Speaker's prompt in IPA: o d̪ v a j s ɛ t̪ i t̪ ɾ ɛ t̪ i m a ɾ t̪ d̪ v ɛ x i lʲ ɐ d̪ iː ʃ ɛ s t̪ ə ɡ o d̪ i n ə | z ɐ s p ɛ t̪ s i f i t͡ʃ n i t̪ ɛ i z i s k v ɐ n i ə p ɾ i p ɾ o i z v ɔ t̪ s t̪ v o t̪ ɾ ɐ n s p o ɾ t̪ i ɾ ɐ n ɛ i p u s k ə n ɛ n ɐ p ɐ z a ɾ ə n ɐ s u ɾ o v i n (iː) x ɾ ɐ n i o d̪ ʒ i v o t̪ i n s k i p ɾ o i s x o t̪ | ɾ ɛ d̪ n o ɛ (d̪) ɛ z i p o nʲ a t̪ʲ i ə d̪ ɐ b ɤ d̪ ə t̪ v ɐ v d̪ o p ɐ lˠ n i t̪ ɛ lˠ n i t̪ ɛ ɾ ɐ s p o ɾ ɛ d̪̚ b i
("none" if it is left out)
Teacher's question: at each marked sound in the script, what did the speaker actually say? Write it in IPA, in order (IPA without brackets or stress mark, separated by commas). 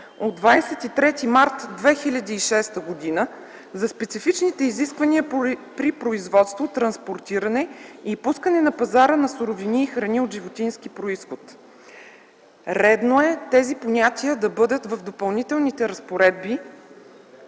iː, t̪